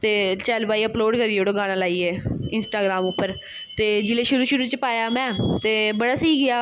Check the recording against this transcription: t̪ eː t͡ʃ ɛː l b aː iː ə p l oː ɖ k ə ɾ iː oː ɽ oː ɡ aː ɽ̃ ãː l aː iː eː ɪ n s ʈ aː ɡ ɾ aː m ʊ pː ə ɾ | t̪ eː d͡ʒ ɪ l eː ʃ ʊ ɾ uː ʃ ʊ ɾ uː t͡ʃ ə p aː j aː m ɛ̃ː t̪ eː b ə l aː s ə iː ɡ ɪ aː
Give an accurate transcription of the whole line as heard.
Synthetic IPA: t̪ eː t͡ʃ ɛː l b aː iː ə p l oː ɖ k ə ɾ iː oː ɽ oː ɡ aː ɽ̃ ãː l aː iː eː ɪ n s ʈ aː ɡ ɾ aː m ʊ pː ə ɾ | t̪ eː d͡ʒ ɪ l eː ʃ ʊ ɾ uː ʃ ʊ ɾ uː t͡ʃ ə p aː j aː m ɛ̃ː t̪ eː b ə ɽ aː s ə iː ɡ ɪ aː